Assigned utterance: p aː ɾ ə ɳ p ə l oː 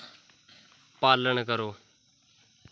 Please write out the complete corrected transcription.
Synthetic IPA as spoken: p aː l ə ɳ k ə ɾ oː

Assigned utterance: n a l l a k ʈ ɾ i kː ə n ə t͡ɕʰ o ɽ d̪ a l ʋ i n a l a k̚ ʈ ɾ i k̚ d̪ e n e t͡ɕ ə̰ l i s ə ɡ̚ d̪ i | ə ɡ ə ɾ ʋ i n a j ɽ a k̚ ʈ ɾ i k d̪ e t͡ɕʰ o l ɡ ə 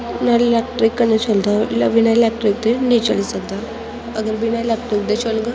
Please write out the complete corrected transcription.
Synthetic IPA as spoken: n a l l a k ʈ ɾ i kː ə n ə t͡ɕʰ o l d̪ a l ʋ i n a l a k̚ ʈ ɾ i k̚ d̪ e n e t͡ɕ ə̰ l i s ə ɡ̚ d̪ a | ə ɡ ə ɾ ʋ i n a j l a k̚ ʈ ɾ i k d̪ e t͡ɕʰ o l ɡ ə

